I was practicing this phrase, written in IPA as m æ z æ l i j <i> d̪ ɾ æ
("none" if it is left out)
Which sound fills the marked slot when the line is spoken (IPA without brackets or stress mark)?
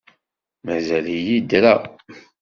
i